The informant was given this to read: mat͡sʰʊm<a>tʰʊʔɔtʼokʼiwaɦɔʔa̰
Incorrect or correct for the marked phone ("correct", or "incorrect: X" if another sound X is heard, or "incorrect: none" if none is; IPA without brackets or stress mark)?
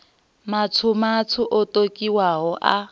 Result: correct